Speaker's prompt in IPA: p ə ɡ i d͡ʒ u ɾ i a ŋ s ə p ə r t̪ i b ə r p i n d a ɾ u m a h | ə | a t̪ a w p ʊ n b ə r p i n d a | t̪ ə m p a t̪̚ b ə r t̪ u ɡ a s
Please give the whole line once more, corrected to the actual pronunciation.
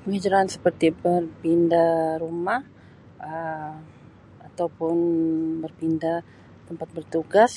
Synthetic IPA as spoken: p ə ŋ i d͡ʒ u ɾ a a n s ə p ə r t̪ i b ə r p i n d a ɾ u m a h | ə | a t̪ a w p ʊ n b ə r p i n d a | t̪ ə m p a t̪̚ b ə r t̪ u ɡ a s